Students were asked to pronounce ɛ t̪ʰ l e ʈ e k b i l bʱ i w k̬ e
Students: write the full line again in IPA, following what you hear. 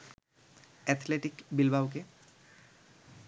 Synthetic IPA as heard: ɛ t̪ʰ l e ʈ i k b i l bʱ a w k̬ e